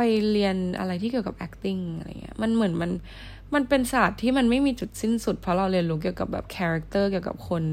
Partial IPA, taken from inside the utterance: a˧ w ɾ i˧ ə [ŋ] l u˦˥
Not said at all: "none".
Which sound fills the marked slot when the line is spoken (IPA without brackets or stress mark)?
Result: n